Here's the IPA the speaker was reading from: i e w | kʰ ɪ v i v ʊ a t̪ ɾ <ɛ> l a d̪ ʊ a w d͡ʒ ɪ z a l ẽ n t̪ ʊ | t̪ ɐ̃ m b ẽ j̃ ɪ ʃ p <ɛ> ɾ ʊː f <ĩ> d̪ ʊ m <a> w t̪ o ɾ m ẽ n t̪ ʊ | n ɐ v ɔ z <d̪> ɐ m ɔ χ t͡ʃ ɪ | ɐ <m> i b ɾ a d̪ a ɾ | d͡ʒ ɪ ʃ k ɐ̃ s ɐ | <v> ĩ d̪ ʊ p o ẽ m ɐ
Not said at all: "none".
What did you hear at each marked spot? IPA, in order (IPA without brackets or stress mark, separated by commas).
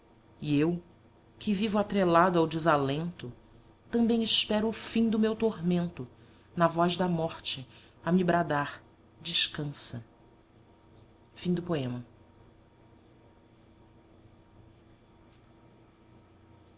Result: e, ɛ, ĩ, e, d̪, m, f